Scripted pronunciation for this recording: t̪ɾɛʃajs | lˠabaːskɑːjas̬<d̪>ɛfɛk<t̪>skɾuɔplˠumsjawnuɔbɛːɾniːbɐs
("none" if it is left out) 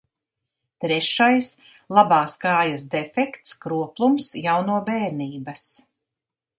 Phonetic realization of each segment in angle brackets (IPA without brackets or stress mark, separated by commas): d̪, t̪